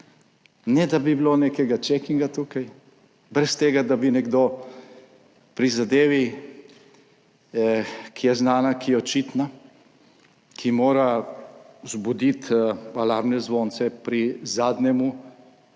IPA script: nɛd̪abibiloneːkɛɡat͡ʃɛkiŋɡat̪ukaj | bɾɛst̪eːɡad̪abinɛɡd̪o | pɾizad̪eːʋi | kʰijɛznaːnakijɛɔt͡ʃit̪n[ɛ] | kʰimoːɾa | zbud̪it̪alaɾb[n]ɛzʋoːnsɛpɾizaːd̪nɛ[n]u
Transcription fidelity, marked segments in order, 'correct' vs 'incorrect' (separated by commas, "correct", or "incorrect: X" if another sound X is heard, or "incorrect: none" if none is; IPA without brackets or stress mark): incorrect: a, correct, incorrect: m